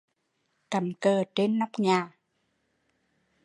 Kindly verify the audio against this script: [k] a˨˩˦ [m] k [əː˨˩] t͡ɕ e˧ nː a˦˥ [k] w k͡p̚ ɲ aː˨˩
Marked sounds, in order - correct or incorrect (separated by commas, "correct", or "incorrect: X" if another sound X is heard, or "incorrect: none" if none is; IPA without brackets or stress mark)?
correct, correct, correct, incorrect: none